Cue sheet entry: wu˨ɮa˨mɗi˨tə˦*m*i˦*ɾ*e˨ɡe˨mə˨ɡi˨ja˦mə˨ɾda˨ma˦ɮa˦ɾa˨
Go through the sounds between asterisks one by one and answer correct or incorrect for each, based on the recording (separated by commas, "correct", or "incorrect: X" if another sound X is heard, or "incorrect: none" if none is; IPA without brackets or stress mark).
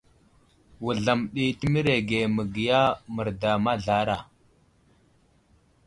correct, correct